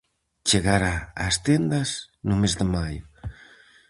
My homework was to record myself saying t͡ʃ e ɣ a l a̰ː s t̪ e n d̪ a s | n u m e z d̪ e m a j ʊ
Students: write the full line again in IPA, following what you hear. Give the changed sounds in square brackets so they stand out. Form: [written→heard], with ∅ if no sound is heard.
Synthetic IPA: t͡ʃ e ɣ a [l→ɾ] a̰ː s t̪ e n d̪ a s | n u m e z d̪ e m a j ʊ